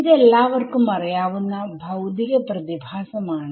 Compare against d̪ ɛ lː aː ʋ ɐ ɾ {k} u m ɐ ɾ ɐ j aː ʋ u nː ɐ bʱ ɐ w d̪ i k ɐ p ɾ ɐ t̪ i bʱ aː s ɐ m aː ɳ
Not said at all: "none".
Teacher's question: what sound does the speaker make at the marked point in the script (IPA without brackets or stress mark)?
k